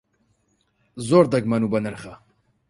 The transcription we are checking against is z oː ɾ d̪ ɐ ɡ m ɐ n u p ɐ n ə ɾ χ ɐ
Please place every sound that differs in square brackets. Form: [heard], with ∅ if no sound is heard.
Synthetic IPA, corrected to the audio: z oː ɾ d̪ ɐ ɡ m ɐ n u [b] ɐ n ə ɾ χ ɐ